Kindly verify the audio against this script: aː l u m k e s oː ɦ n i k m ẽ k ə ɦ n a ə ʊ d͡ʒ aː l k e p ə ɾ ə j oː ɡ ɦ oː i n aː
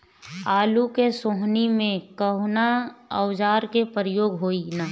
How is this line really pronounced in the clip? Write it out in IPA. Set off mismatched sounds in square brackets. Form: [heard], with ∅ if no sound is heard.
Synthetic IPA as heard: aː l u [∅] k e s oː ɦ n i [∅] m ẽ k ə ɦ n a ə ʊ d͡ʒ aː [ɾ] k e p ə ɾ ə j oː ɡ ɦ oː i n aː